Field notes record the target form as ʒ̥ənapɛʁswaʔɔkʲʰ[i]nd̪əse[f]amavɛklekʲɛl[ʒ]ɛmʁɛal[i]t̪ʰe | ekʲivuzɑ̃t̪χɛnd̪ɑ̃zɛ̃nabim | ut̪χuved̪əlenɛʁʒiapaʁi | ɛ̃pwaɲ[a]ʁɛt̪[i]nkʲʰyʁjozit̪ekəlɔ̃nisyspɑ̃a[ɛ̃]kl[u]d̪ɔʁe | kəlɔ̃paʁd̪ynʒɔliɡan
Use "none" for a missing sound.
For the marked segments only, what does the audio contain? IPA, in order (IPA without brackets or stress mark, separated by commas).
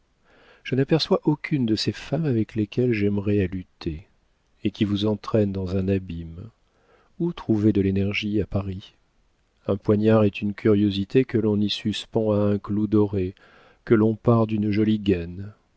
y, f, ʒ, y, a, y, ɛ̃, u